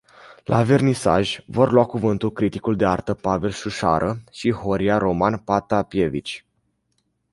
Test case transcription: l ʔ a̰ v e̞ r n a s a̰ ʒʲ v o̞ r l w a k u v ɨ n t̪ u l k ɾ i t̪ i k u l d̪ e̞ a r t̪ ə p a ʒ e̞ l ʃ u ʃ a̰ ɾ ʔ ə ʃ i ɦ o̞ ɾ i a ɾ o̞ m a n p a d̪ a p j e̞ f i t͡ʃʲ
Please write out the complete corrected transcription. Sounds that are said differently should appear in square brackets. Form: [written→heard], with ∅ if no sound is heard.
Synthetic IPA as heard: l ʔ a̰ v e̞ r n [a→i] s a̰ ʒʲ v o̞ r l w a k u v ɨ n t̪ u l k ɾ i t̪ i k u l d̪ e̞ a r t̪ ə p a [ʒ→v] e̞ l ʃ u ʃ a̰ ɾ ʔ ə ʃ i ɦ o̞ ɾ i a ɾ o̞ m a n p a [d̪→t̪] a p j e̞ [f→v] i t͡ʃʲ